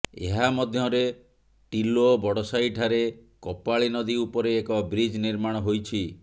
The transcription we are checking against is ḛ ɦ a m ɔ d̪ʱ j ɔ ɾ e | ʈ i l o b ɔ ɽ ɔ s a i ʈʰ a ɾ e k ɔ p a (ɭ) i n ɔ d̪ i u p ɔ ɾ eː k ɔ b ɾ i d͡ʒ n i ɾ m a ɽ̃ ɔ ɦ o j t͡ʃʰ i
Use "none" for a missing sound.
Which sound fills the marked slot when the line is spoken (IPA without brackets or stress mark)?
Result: ɭ